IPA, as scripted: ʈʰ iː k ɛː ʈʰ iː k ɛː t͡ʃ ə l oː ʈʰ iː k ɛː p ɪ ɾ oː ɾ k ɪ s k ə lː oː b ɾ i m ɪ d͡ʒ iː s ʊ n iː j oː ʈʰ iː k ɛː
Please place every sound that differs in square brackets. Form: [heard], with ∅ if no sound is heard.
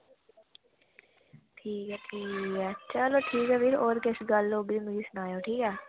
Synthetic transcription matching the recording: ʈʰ iː k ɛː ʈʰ iː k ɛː t͡ʃ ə l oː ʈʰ iː k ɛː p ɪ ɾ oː ɾ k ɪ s [ɡ] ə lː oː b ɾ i m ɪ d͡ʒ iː s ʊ n [aː] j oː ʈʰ iː k ɛː